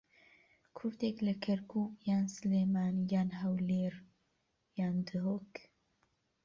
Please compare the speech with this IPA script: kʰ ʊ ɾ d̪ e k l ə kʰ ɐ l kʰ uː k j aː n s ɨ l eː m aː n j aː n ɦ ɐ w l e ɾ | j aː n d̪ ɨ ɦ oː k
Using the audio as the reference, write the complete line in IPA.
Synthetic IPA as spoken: kʰ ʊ ɾ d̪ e k l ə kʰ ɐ ɾ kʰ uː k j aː n s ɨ l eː m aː n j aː n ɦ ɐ w l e ɾ | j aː n d̪ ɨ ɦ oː k